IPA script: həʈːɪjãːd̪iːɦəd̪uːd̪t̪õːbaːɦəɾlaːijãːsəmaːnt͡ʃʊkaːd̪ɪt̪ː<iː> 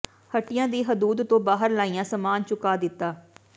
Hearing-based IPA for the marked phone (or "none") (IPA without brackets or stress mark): aː